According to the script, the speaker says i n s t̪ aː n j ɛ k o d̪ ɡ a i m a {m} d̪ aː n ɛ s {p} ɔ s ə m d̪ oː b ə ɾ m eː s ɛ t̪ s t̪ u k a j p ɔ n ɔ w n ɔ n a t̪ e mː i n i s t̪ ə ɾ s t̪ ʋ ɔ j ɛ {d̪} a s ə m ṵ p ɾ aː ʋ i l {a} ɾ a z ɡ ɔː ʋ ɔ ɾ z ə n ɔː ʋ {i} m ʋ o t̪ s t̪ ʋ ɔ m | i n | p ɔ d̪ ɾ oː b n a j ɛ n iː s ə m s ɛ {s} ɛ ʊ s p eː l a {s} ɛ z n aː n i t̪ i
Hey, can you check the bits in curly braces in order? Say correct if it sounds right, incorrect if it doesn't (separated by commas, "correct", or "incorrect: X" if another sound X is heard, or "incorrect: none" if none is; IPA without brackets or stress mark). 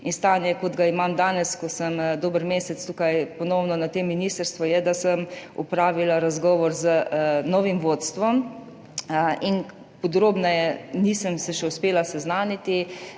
correct, incorrect: k, correct, correct, correct, incorrect: ʃ, correct